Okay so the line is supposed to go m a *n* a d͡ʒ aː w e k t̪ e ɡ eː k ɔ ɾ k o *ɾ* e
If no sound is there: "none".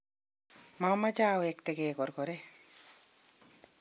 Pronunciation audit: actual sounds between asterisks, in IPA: m, ɾ

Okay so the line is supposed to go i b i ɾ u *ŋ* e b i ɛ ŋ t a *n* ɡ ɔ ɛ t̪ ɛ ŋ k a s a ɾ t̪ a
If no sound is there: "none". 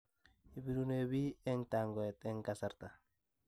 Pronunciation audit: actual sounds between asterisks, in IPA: n, ŋ

